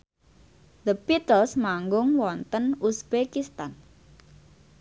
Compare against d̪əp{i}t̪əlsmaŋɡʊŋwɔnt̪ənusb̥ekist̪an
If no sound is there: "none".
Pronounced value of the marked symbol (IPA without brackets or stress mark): i